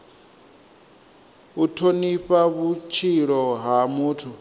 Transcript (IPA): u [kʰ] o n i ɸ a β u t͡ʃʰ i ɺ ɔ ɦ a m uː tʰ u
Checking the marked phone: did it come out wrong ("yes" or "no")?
yes